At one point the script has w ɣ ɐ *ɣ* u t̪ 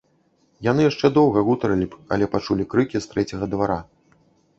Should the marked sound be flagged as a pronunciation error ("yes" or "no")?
no